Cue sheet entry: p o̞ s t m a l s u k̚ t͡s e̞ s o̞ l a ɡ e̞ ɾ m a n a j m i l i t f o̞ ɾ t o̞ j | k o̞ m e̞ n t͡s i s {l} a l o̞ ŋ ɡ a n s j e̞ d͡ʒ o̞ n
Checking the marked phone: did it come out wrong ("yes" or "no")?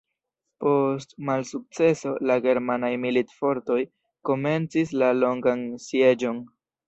no